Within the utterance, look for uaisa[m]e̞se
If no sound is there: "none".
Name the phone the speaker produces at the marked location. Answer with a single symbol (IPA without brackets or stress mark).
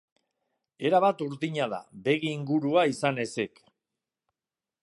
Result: n